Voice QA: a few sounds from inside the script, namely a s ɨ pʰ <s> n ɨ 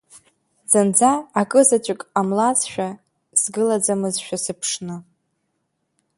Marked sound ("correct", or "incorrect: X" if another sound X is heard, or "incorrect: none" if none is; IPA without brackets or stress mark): incorrect: ʂ